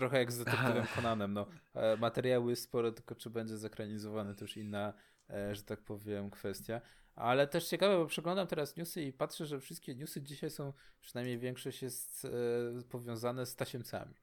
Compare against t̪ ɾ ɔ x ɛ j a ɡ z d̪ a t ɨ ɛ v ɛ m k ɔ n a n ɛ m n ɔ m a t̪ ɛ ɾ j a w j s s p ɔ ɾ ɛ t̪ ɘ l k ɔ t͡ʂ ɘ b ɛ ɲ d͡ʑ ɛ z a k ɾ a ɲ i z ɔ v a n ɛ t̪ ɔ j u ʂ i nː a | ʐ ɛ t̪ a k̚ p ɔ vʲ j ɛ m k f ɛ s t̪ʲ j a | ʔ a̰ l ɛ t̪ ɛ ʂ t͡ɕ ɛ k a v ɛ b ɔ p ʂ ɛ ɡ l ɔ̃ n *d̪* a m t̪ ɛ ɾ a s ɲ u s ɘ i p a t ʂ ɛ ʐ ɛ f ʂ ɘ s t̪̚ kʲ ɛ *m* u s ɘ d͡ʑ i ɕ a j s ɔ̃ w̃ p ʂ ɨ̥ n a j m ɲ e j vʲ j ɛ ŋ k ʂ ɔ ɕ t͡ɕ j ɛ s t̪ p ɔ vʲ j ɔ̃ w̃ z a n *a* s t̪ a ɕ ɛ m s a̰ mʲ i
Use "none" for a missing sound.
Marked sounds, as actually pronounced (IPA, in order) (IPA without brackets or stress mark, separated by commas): d̪, ɲ, ɛ